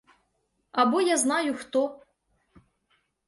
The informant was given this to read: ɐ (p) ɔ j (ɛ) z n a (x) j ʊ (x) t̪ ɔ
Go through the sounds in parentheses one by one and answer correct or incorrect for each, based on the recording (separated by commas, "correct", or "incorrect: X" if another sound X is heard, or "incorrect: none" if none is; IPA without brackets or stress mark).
incorrect: b, incorrect: a, incorrect: none, correct